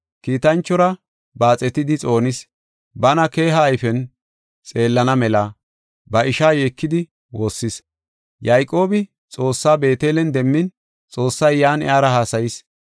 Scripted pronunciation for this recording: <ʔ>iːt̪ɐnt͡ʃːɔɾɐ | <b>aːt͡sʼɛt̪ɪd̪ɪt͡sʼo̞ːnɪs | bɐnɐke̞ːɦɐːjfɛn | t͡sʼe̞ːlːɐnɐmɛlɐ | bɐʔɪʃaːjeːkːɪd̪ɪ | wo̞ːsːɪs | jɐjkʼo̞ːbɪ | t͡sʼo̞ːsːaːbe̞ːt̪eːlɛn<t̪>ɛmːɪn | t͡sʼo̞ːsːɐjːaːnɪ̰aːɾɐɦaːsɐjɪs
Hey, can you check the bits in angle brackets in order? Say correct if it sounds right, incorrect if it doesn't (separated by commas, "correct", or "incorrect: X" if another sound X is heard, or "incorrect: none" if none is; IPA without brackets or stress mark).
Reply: incorrect: k, correct, incorrect: d̪